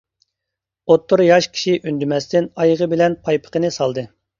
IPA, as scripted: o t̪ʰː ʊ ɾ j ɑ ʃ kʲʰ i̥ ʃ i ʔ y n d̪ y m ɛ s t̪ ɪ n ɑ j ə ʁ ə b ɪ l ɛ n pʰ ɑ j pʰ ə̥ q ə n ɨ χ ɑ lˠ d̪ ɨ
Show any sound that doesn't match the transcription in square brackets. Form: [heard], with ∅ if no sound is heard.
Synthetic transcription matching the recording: o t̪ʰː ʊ ɾ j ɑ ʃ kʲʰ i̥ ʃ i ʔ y n d̪ y m ɛ s t̪ ɪ n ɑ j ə ʁ ə b ɪ l ɛ n pʰ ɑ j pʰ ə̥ q ə n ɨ [s] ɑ lˠ d̪ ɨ